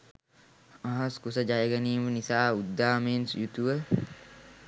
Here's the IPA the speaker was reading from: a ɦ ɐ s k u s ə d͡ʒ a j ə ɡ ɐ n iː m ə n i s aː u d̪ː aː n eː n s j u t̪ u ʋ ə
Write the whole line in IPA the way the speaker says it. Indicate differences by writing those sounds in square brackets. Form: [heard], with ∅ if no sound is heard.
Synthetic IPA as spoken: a ɦ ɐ s k u s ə d͡ʒ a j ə ɡ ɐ n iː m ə n i s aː u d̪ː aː [m] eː n s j u t̪ u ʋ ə